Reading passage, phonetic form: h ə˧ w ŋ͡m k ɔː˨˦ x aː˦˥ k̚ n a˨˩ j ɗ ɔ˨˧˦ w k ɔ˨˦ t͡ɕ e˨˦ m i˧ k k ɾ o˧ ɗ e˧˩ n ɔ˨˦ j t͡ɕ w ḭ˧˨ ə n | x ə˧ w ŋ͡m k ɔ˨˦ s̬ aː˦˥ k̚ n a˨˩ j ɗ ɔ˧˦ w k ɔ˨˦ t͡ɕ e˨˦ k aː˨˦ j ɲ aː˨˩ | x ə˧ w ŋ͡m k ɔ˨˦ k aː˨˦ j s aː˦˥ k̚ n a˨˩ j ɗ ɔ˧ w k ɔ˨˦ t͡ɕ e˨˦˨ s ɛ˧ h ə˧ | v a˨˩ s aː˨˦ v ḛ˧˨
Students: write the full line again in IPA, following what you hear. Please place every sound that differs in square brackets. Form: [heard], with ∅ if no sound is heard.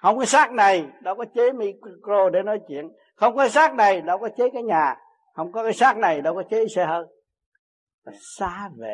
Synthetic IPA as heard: h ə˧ w ŋ͡m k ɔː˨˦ [s] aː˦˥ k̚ n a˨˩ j ɗ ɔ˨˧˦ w k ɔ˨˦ t͡ɕ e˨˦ m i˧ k k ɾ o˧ ɗ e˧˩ n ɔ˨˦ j t͡ɕ w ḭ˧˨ ə n | x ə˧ w ŋ͡m k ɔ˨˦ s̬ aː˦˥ k̚ n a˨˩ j ɗ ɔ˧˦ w k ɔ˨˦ t͡ɕ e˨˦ k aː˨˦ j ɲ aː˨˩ | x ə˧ w ŋ͡m k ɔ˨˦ k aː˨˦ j s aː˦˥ k̚ n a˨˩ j ɗ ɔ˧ w k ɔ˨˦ t͡ɕ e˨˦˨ s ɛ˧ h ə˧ | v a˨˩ s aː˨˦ v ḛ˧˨